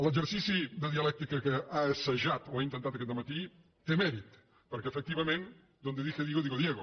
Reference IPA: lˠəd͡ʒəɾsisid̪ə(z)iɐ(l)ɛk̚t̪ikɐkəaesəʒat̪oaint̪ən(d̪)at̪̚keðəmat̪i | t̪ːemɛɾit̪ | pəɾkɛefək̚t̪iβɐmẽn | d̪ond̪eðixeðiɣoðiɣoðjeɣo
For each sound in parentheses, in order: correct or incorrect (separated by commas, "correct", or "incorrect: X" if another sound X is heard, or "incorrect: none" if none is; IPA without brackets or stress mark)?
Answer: incorrect: ð, correct, incorrect: t̪